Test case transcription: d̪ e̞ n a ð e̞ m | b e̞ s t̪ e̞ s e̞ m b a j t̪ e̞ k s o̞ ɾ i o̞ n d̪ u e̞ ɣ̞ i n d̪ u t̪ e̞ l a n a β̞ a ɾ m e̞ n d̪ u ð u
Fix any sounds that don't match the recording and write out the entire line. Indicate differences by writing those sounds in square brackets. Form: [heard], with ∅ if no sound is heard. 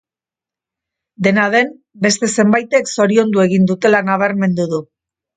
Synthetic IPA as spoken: d̪ e̞ n a ð e̞ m | b e̞ s t̪ e̞ s e̞ m b a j t̪ e̞ k s o̞ ɾ i o̞ n d̪ u e̞ ɣ̞ i n d̪ u t̪ e̞ l a n a β̞ a ɾ m e̞ n d̪ u ð u